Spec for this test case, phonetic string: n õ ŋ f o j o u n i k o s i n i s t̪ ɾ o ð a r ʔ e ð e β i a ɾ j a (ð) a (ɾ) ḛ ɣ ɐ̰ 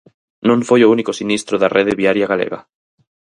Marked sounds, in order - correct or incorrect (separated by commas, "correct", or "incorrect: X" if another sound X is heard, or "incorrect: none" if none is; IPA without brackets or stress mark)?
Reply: incorrect: ɣ, incorrect: l